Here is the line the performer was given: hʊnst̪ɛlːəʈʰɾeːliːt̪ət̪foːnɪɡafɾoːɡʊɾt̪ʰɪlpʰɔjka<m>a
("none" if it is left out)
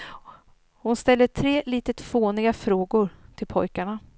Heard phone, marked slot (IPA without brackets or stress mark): ɳ